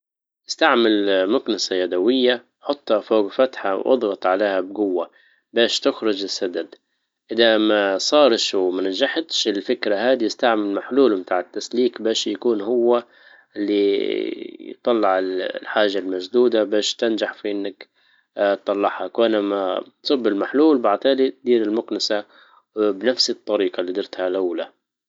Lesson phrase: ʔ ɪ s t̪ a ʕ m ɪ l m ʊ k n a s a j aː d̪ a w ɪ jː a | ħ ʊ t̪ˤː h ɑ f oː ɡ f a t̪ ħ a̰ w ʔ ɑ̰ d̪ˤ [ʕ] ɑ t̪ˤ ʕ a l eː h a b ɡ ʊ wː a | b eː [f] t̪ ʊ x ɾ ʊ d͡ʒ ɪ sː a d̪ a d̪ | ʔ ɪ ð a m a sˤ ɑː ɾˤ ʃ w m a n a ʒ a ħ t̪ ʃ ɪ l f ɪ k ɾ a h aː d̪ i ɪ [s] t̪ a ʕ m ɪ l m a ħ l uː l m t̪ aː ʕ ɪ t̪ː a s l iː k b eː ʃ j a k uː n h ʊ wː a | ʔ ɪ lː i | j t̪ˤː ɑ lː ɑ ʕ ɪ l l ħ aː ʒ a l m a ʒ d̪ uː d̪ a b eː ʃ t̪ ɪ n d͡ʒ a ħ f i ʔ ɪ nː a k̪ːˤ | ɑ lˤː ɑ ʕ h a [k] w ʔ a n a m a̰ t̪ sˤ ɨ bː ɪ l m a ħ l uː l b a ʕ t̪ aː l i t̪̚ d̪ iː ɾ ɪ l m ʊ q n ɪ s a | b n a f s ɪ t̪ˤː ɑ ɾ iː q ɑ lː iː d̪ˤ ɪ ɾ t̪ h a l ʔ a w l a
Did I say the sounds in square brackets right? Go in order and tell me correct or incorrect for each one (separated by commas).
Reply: incorrect, incorrect, correct, correct